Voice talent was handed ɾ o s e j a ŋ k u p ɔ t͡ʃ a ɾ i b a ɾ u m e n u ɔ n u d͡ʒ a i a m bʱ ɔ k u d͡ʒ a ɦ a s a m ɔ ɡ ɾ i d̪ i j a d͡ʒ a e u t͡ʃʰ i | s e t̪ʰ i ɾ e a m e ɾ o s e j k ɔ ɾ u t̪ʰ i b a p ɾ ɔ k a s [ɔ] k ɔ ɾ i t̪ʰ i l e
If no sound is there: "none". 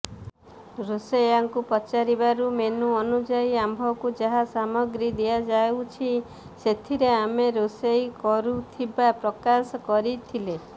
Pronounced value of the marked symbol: ɔ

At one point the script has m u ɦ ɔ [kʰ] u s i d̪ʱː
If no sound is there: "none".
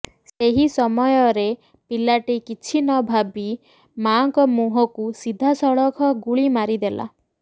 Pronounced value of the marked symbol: k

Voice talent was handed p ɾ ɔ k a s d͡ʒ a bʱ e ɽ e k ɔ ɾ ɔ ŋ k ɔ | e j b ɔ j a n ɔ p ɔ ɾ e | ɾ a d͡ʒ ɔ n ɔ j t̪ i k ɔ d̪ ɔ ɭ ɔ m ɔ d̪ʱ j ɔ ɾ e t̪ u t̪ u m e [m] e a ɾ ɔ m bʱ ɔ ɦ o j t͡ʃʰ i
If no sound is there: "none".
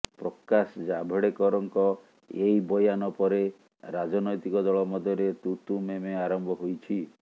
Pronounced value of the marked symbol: m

